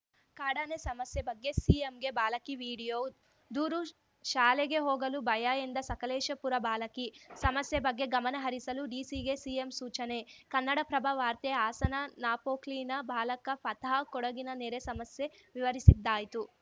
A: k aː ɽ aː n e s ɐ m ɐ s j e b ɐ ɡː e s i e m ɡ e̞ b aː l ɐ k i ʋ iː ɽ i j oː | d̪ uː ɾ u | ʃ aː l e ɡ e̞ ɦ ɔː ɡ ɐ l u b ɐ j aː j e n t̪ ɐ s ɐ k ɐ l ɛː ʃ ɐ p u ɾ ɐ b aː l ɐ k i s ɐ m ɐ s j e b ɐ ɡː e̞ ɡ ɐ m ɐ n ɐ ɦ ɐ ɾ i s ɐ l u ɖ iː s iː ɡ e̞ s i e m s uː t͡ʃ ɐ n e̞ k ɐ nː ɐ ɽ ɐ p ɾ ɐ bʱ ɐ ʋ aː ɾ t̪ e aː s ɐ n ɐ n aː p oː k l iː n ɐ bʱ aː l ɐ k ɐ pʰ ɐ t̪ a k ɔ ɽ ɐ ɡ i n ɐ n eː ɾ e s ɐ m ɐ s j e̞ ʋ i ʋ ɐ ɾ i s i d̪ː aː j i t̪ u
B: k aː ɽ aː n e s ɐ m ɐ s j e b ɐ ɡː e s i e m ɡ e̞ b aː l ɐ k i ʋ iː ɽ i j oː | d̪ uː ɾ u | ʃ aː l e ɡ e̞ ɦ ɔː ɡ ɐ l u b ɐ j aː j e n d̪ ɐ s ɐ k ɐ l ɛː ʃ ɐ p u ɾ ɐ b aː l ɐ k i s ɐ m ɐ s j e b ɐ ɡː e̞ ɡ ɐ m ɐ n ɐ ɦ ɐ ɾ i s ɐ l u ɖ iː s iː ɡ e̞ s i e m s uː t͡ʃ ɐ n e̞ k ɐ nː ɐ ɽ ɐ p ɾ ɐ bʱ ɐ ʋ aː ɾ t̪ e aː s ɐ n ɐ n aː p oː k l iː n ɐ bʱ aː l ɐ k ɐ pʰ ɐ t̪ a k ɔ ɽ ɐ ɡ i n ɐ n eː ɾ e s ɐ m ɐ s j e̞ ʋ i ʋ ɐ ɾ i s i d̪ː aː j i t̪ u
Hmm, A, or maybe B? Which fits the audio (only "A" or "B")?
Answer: B